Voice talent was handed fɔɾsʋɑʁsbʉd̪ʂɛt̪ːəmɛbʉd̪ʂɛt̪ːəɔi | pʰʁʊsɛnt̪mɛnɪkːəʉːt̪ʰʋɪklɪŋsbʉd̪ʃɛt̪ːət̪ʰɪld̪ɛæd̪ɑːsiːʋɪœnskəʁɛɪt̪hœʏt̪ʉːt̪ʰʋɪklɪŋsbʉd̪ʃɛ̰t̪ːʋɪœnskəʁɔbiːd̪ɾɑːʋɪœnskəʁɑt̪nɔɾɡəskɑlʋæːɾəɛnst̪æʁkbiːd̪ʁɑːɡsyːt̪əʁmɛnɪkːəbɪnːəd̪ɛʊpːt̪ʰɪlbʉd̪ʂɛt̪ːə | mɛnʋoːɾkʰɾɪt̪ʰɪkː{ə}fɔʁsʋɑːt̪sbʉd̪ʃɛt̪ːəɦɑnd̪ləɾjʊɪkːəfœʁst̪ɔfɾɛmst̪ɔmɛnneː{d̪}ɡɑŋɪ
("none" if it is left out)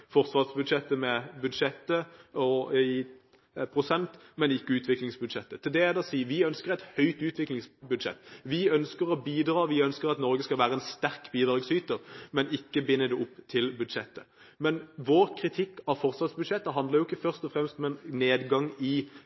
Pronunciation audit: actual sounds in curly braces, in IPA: ɑ, d̪

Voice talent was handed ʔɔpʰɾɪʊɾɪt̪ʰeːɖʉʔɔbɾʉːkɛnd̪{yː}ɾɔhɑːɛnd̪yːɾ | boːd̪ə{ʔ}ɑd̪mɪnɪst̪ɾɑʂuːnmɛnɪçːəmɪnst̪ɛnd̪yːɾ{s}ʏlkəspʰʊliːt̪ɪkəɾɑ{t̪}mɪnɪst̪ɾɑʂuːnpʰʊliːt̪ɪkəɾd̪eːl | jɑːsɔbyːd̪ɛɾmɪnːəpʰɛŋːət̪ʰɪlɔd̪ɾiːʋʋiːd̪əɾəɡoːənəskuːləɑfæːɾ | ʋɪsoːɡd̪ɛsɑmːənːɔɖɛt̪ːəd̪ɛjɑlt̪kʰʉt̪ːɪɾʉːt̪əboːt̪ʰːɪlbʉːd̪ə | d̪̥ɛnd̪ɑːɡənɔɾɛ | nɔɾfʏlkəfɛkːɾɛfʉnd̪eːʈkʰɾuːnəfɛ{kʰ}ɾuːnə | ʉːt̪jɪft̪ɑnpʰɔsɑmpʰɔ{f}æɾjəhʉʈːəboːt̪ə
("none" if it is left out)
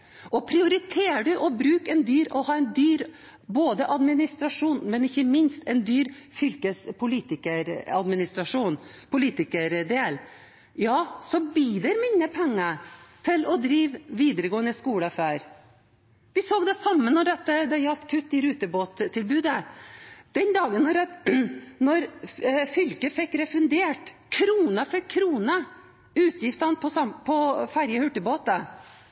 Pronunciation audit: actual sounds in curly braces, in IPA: yː, ʔ, f, d̪, kʰ, f

